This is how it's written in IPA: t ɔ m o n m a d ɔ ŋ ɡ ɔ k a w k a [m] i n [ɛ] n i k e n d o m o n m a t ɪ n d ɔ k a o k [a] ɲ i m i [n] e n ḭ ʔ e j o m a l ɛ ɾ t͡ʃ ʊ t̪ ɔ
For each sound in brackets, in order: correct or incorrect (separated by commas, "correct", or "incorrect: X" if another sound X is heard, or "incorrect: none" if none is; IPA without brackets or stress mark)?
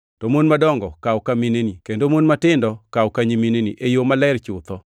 correct, incorrect: e, correct, correct